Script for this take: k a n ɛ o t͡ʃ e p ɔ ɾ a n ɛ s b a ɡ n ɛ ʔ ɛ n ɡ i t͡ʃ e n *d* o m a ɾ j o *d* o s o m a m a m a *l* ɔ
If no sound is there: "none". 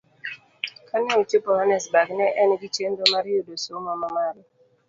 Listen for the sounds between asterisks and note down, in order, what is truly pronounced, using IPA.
d, d, ɾ

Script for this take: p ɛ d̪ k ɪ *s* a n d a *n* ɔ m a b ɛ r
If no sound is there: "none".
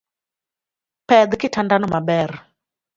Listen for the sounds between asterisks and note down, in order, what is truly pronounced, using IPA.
t, n

